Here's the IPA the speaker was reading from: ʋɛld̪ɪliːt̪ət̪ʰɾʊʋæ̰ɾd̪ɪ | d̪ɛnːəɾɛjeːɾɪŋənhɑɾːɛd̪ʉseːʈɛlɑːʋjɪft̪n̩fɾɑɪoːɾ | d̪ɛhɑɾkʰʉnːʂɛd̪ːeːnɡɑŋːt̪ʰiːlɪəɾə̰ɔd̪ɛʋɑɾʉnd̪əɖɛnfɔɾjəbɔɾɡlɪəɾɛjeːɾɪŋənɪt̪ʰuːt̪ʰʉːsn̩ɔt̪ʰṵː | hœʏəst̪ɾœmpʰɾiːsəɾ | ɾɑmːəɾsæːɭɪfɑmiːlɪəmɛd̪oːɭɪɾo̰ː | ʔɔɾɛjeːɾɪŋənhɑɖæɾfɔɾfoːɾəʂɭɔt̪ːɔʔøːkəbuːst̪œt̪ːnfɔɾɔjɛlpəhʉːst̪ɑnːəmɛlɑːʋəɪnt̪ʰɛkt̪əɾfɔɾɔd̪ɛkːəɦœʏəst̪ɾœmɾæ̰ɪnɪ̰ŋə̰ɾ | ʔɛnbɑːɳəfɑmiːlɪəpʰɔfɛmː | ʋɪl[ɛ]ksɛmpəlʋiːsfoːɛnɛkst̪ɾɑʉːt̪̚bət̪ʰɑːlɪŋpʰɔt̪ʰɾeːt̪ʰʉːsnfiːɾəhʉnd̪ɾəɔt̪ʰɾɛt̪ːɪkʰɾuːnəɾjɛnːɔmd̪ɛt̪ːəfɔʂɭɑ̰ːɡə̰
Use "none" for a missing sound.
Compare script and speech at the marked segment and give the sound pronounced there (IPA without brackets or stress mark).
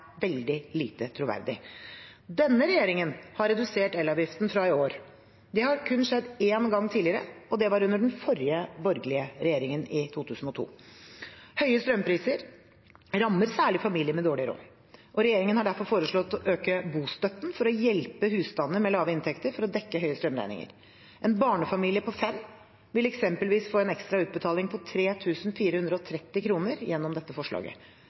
ɛ